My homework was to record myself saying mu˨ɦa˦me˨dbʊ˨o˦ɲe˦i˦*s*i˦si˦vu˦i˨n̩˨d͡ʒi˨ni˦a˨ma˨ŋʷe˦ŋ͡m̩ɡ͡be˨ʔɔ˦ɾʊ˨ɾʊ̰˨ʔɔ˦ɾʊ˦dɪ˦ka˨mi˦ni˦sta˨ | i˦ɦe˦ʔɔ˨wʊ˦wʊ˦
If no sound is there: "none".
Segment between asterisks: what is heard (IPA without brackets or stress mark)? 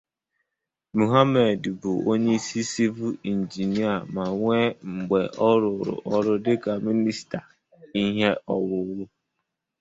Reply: s